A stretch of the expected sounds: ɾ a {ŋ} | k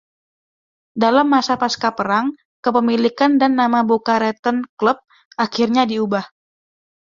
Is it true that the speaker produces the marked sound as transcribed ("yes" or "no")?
yes